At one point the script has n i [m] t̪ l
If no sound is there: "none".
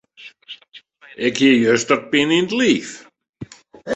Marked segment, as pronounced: n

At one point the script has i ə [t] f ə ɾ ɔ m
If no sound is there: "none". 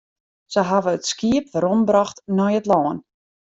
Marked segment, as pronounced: p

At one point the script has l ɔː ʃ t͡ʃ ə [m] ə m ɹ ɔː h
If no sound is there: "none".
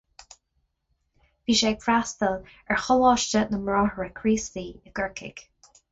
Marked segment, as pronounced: n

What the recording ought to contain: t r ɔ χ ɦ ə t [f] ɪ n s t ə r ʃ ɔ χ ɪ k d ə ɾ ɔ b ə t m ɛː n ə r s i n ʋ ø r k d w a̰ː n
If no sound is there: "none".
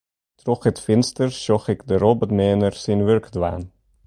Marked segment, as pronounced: f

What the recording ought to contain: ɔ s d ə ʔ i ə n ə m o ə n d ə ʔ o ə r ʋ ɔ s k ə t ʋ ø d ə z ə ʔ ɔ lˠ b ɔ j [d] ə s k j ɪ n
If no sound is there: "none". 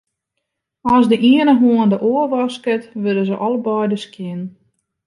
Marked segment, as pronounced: d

